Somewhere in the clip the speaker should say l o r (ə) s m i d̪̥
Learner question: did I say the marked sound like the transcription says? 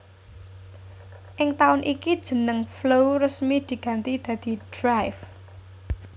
yes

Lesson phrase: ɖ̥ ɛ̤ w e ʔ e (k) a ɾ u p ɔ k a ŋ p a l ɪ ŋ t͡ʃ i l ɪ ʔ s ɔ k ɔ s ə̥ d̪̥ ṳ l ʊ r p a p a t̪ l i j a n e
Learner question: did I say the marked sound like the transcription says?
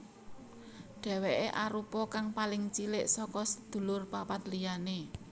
no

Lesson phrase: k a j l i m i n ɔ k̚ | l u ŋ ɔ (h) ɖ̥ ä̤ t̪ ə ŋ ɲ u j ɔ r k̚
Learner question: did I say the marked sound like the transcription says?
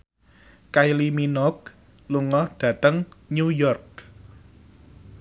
yes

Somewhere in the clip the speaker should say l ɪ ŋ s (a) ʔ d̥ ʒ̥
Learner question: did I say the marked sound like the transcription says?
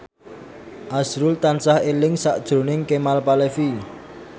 yes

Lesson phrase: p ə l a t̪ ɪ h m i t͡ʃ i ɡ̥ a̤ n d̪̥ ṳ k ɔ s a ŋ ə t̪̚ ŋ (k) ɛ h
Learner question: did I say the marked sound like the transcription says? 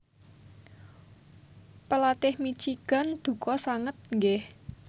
no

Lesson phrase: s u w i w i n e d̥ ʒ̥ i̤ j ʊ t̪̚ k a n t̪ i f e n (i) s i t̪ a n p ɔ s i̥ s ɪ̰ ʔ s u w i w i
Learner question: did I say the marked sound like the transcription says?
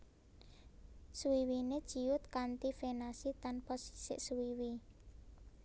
no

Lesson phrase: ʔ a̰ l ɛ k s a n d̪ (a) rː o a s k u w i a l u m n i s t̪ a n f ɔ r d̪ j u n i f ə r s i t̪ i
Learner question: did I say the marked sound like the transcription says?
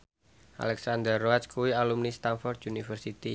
no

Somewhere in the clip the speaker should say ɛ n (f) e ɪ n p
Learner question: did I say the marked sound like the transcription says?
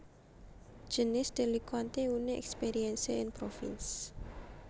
no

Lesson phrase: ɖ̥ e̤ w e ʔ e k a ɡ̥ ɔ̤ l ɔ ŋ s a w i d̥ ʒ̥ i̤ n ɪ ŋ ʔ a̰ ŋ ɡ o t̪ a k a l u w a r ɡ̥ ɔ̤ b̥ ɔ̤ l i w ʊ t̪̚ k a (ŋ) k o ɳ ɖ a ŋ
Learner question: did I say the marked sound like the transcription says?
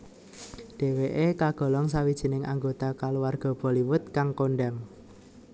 yes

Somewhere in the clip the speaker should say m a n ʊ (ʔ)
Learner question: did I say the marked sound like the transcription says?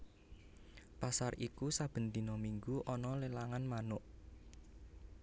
yes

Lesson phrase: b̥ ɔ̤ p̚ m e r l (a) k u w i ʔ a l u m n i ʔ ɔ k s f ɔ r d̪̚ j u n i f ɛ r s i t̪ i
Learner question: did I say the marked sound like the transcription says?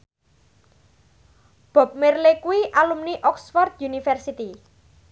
no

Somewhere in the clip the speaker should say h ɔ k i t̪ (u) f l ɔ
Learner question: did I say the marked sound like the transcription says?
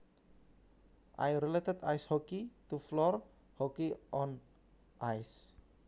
yes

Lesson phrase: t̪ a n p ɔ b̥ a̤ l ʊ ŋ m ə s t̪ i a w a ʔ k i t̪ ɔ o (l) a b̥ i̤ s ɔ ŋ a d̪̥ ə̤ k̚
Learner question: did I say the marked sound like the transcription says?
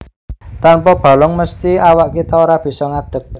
no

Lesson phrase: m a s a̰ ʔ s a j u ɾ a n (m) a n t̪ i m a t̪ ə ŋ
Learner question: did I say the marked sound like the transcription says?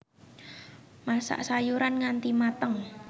no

